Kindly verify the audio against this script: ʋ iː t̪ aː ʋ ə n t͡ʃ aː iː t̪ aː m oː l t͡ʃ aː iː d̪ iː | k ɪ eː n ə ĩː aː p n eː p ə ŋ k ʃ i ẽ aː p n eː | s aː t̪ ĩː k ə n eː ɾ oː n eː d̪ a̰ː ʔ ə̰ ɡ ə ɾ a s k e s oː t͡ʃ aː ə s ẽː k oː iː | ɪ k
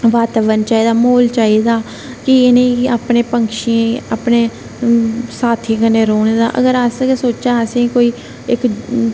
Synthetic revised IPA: ʋ aː t̪ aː ʋ ə n t͡ʃ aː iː d̪ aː m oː l t͡ʃ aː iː d̪ aː | k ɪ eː n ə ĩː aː p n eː p ə ŋ k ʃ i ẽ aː p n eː | s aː t̪ʰ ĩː k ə n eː ɾ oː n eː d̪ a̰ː ʔ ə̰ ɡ ə ɾ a s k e s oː t͡ʃ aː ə s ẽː k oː iː | ɪ k